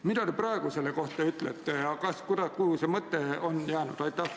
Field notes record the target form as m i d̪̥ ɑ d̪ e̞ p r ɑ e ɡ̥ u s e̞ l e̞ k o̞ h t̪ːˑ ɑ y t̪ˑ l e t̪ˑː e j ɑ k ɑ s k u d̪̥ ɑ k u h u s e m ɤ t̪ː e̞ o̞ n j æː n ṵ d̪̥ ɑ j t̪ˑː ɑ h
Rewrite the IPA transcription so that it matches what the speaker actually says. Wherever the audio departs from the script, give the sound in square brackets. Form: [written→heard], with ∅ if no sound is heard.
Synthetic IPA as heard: m i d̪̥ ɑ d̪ e̞ p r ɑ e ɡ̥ u s e̞ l e̞ k o̞ h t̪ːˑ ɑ y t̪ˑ l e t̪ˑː e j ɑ k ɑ s k u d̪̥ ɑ k u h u s e m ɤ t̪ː e̞ o̞ n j æː n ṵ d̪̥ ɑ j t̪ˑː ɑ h